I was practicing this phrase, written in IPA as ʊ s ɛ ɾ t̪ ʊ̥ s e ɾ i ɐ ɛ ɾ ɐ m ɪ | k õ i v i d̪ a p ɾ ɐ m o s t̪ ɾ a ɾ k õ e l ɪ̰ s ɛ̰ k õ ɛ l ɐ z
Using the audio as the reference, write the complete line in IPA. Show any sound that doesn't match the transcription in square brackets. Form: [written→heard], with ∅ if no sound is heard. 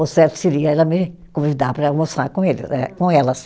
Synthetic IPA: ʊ s ɛ ɾ t̪ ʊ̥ s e ɾ i ɐ ɛ [ɾ→l] ɐ m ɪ | k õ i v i d̪ a p ɾ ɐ m o s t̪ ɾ a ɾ k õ e l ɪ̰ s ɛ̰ k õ ɛ l ɐ [z→s]